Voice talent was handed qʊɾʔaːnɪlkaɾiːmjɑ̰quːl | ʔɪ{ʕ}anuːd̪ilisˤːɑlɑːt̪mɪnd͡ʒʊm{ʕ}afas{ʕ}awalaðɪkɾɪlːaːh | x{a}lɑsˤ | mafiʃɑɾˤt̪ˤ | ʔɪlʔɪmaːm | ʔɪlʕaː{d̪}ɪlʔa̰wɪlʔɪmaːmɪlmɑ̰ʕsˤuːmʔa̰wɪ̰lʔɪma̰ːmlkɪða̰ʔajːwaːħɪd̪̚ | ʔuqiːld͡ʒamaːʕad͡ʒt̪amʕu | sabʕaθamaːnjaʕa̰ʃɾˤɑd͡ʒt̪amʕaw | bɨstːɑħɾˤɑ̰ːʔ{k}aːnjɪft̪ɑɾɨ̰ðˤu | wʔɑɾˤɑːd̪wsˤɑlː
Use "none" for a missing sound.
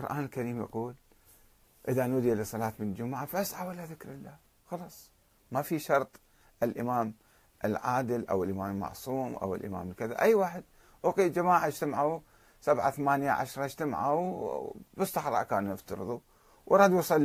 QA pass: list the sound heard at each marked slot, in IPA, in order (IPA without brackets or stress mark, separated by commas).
ð, ʕ, ʕ, ɑ, d̪, k